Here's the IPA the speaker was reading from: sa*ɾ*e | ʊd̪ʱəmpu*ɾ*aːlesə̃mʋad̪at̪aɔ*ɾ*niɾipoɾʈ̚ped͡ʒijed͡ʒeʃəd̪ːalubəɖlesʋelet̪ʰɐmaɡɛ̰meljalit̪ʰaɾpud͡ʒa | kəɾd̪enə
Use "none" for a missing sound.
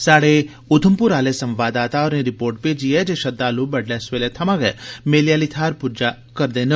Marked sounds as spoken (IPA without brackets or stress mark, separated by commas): ɽ, ɾ, ɾ